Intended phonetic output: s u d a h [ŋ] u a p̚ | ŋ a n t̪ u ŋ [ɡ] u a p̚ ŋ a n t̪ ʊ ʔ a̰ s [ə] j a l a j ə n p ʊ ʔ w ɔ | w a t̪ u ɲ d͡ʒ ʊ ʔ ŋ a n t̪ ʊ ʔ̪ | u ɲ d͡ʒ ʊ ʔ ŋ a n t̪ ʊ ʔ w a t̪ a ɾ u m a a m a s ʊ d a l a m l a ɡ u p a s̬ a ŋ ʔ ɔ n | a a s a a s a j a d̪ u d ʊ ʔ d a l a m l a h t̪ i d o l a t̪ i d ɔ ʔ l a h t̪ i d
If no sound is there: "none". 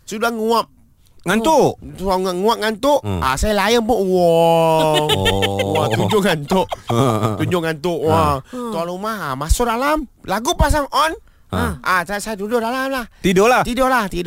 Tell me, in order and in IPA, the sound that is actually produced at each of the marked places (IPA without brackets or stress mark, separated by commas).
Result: ŋ, ŋ, a